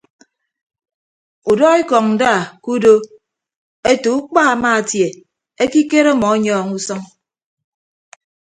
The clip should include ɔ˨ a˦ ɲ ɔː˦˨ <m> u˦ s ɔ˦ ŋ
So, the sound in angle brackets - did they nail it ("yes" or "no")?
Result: no